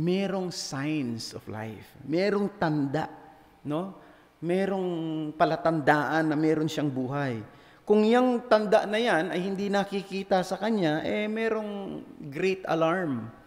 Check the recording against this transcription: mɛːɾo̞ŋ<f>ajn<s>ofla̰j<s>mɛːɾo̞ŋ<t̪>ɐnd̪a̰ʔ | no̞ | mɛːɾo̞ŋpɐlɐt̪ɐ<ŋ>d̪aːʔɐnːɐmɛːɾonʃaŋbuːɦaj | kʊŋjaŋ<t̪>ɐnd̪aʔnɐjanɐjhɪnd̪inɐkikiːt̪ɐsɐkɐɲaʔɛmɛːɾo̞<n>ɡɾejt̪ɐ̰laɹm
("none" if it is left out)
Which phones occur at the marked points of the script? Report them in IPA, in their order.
s, s, f, t̪, n, t̪, ŋ

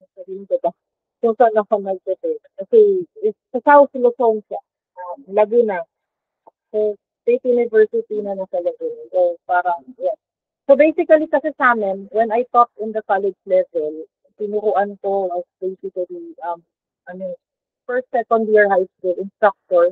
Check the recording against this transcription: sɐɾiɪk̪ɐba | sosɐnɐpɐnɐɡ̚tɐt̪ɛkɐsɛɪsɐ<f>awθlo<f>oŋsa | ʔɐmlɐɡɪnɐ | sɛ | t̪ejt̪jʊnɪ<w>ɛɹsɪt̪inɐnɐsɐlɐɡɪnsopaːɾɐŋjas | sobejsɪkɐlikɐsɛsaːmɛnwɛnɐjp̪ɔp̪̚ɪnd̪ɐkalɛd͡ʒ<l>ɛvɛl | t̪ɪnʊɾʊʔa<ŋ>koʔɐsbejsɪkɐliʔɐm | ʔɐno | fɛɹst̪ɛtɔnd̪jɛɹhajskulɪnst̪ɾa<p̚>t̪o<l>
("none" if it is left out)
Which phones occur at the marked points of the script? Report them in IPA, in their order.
s, s, v, l, n, k̚, ɹ

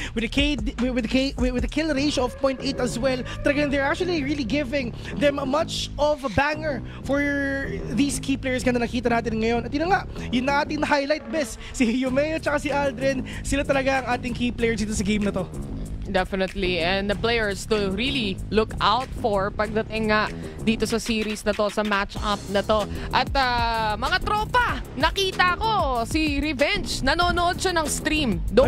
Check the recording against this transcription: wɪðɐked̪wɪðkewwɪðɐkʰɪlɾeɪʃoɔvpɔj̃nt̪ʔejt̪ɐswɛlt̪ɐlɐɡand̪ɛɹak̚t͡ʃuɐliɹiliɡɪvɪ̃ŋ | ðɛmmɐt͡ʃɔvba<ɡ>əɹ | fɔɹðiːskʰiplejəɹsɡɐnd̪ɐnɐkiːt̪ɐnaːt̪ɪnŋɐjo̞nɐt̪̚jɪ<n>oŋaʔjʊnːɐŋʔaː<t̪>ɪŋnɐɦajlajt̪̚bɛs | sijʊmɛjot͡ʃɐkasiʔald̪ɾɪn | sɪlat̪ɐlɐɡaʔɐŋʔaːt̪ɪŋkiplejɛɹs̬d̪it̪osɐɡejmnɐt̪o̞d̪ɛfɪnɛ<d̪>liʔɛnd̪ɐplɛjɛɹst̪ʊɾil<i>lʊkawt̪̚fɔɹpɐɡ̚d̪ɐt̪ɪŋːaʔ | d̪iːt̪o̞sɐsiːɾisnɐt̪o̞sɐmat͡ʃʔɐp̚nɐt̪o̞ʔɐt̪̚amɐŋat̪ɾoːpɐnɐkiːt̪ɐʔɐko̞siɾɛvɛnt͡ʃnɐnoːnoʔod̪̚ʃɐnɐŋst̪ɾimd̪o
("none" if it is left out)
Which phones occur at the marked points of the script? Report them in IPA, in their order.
ŋ, n, t̪, t̪, i

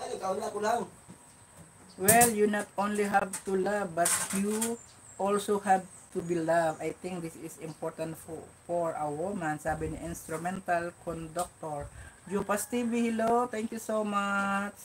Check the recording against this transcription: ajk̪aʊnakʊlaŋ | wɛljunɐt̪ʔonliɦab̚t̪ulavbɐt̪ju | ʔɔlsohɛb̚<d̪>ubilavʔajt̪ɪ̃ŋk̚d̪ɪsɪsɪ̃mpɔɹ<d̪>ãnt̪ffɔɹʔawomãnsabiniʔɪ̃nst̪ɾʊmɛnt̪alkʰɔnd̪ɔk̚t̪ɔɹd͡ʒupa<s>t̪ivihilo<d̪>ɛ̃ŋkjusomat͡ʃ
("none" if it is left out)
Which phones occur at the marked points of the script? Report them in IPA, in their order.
t̪, t̪, s, t̪

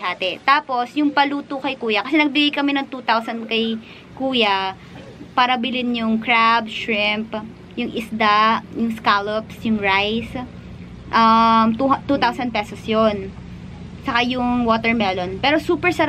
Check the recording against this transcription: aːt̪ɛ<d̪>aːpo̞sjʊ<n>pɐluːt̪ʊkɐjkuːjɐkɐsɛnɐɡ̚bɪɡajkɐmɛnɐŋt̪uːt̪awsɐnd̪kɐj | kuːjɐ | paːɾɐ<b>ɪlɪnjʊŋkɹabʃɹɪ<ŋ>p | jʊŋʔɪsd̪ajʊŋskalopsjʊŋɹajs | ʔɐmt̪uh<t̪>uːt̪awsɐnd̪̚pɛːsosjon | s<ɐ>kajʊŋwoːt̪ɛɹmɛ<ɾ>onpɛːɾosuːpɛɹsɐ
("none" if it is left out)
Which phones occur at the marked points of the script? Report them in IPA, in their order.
t̪, ŋ, b, m, t̪, ɐ, l

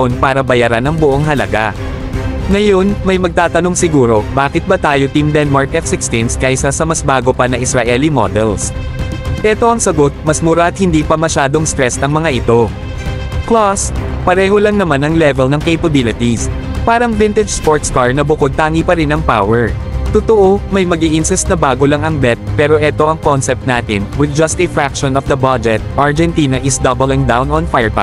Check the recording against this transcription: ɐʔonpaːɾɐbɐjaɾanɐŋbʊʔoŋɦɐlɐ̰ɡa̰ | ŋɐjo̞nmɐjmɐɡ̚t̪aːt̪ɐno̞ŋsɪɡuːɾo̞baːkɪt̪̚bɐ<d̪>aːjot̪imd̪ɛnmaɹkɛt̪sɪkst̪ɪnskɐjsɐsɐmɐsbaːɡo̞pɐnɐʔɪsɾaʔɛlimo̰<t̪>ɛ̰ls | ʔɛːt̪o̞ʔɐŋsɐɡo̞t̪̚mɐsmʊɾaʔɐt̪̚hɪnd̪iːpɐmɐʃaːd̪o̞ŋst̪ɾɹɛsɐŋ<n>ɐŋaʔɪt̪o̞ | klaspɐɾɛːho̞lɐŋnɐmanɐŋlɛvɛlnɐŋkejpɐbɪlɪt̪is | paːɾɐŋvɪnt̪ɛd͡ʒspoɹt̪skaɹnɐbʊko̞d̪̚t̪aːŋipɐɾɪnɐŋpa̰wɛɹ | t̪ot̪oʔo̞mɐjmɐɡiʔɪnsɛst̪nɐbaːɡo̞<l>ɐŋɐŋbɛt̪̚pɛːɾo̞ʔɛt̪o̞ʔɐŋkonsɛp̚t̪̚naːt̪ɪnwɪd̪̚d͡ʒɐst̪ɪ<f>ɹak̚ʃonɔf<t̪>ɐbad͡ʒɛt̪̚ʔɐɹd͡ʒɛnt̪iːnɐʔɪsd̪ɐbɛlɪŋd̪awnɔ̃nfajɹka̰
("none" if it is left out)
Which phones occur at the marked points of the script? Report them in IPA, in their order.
t̪, d̪, m, l, f, d̪

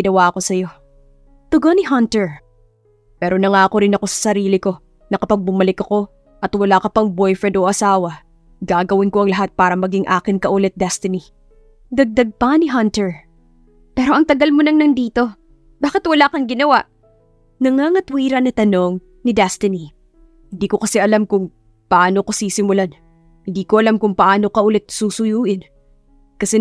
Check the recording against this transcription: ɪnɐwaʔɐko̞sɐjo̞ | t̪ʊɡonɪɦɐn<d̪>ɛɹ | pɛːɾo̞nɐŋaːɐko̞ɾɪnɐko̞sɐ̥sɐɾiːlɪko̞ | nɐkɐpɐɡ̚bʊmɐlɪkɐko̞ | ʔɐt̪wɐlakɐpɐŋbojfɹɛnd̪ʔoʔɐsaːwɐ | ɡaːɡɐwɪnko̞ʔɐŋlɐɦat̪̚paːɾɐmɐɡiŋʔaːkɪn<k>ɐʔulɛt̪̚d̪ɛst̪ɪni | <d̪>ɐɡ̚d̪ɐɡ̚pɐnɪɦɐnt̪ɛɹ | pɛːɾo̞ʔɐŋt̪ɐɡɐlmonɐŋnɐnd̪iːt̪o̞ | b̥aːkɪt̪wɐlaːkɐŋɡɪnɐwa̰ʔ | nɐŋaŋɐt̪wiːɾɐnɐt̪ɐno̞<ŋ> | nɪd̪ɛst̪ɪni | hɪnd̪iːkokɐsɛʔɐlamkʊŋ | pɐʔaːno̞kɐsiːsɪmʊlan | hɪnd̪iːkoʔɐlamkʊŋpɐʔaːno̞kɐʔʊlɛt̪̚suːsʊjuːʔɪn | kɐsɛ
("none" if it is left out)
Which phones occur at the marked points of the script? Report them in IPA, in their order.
t̪, k, d̪, ŋ

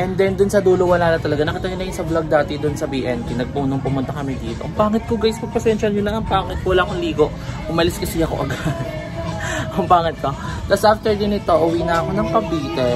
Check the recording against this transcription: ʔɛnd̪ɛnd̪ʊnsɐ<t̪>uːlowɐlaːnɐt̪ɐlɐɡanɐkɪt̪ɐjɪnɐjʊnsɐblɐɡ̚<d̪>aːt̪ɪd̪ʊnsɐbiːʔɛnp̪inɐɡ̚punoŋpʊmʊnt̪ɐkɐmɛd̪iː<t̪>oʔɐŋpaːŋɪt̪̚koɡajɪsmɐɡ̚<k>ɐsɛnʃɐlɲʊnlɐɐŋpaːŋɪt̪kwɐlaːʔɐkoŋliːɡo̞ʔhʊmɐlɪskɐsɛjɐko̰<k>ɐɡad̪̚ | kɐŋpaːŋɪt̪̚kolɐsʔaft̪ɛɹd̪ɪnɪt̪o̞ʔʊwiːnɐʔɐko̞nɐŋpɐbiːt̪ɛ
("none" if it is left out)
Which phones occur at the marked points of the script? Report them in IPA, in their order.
d̪, d̪, t̪, p, ʔ

